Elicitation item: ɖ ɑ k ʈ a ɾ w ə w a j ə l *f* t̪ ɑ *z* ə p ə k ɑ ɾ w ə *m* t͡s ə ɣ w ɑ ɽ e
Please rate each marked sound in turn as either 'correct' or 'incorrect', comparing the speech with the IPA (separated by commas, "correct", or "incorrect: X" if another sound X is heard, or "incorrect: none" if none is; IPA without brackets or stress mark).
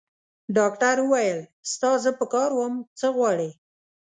incorrect: s, correct, correct